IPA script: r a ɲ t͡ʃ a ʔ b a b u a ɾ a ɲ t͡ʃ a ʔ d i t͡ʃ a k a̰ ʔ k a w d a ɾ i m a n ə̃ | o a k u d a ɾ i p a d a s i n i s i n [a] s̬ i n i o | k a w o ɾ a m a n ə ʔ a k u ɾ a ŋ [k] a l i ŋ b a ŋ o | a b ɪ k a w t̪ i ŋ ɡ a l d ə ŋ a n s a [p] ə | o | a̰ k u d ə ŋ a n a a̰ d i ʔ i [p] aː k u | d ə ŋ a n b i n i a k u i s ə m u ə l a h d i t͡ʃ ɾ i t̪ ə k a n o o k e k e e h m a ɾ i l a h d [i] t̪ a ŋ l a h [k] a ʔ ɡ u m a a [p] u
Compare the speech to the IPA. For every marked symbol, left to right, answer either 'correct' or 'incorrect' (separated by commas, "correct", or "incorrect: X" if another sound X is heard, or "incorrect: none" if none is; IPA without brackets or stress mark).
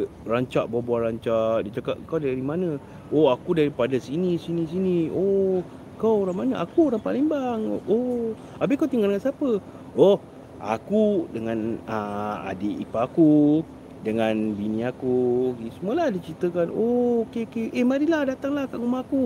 incorrect: i, incorrect: p, correct, correct, incorrect: a, correct, incorrect: k